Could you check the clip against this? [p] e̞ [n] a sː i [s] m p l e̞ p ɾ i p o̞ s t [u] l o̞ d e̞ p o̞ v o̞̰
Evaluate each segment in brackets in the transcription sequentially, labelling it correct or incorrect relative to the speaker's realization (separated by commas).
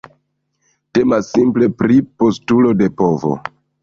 incorrect, incorrect, incorrect, correct